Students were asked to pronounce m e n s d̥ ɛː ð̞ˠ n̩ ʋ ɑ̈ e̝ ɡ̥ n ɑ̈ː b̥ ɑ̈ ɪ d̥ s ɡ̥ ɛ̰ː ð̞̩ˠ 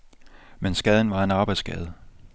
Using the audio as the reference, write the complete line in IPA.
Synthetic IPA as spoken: m e n s ɡ̥ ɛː ð̞ˠ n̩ ʋ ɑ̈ e̝ n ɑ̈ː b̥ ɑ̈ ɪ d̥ s ɡ̥ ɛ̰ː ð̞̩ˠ